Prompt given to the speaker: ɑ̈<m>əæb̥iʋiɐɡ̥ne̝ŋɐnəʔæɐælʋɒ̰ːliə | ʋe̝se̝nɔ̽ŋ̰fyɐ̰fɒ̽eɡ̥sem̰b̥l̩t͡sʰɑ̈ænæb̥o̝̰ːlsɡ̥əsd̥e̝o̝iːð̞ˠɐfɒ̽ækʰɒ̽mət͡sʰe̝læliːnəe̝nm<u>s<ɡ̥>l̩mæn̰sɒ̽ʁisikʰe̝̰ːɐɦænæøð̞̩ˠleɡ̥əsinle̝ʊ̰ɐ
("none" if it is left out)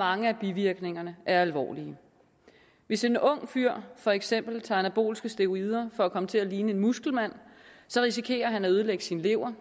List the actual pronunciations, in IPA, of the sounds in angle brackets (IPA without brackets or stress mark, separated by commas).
ŋ, u, ɡ̥